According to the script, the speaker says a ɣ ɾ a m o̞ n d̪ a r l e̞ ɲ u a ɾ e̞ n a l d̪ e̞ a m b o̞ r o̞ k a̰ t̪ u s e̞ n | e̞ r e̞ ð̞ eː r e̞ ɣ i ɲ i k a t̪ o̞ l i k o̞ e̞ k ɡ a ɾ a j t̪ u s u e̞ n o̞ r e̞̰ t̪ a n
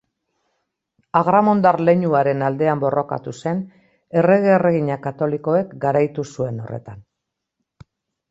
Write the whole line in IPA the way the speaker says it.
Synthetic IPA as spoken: a ɣ ɾ a m o̞ n d̪ a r l e̞ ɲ u a ɾ e̞ n a l d̪ e̞ a m b o̞ r o̞ k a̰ t̪ u s e̞ n | e̞ r e̞ ɣ̞ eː r e̞ ɣ i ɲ a k a t̪ o̞ l i k o̞ e̞ k ɡ a ɾ a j t̪ u s u e̞ n o̞ r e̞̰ t̪ a n